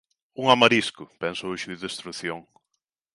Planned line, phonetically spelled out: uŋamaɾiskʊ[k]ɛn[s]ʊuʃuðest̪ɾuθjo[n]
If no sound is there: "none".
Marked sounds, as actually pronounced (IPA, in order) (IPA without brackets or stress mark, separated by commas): p, s, ŋ